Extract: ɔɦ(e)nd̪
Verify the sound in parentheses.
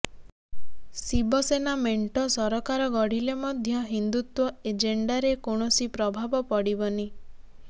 incorrect: i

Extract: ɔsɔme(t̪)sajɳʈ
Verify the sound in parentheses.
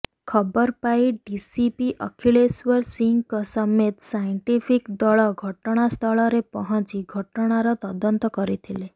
correct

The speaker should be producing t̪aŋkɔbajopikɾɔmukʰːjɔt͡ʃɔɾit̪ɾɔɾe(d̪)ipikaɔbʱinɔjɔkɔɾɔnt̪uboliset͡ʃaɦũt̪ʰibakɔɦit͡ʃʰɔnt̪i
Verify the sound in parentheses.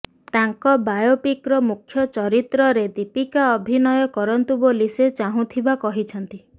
correct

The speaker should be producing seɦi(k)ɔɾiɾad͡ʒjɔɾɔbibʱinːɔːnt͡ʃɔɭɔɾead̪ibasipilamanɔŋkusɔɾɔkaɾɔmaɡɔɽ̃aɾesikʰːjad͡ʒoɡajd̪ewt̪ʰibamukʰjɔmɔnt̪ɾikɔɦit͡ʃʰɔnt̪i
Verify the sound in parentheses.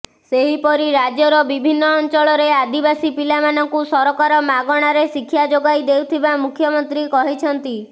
incorrect: p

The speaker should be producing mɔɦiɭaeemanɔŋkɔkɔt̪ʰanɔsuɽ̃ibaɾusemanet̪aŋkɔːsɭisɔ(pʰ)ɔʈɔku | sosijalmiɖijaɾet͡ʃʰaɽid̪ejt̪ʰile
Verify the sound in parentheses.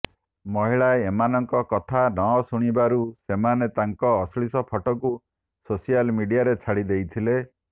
correct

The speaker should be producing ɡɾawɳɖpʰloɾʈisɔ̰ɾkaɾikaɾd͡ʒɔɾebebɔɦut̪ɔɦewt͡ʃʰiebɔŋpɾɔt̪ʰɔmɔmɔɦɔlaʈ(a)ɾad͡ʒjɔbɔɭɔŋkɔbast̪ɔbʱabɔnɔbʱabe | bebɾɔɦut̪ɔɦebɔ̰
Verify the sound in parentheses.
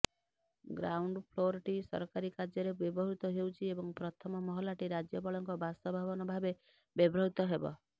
incorrect: i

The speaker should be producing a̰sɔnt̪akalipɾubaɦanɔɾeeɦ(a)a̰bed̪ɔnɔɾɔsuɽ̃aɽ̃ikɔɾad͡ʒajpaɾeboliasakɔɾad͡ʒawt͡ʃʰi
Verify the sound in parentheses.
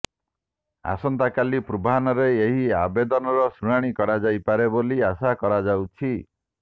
incorrect: i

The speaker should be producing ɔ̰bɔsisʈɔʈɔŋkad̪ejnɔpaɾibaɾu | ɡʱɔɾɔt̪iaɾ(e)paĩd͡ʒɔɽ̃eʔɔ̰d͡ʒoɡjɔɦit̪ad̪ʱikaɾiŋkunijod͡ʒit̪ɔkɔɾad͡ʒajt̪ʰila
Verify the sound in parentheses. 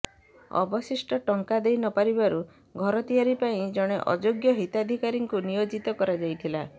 incorrect: i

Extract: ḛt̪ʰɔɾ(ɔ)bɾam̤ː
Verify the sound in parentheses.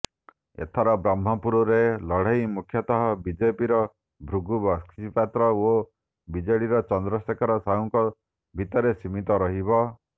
correct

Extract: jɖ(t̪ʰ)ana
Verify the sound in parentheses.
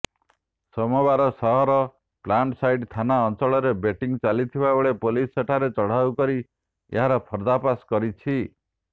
correct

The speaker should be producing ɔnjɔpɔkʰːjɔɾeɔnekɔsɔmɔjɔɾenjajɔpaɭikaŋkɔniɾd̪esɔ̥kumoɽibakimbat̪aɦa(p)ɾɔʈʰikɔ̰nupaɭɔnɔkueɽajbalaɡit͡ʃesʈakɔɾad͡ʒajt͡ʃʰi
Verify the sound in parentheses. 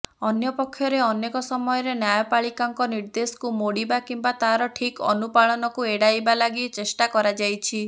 incorrect: none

